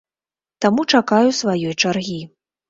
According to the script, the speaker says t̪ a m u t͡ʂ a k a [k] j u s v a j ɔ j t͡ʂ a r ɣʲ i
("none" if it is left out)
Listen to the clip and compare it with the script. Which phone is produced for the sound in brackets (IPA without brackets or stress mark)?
none